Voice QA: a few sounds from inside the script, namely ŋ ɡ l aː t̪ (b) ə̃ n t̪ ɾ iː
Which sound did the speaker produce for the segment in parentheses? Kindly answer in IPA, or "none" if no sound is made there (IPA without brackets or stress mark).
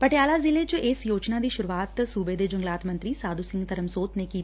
m